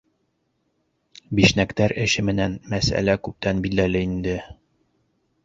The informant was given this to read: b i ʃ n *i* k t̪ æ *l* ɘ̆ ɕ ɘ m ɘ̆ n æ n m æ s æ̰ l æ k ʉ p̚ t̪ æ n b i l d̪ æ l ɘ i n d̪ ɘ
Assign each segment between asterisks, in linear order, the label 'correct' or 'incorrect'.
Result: incorrect, incorrect

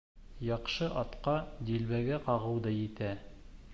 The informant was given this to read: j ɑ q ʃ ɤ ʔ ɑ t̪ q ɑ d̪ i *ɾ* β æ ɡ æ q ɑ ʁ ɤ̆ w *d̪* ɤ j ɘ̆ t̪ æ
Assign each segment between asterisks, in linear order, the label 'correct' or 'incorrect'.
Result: incorrect, correct

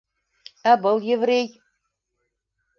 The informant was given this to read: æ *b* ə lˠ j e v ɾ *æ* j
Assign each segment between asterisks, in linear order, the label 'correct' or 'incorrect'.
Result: correct, incorrect

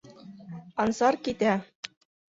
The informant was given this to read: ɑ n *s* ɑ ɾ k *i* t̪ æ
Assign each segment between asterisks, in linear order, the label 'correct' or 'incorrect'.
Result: correct, correct

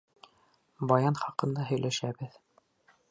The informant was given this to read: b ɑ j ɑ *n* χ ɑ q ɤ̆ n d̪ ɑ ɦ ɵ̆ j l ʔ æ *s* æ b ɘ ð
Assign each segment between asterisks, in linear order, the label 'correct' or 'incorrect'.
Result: correct, incorrect

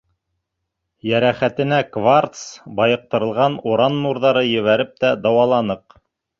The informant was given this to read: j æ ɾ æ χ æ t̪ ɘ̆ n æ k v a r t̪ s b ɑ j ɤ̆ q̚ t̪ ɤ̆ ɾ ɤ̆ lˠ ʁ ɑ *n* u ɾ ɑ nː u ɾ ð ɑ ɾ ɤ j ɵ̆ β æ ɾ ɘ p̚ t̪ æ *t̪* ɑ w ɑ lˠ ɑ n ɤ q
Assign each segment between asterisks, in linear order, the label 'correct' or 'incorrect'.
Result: correct, incorrect

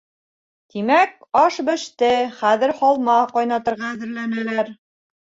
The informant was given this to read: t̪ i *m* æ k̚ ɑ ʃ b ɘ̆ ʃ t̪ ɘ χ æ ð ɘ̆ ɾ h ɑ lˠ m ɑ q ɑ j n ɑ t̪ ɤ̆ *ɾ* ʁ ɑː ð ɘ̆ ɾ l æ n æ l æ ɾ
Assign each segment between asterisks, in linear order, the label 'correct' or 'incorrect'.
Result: correct, correct

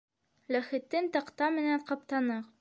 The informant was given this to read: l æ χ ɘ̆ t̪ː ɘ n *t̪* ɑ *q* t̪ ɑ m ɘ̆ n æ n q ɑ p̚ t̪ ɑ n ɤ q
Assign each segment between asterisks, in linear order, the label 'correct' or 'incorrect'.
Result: correct, correct

